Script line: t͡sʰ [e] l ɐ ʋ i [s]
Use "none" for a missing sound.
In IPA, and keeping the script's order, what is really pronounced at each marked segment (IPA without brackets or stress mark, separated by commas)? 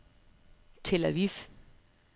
e, f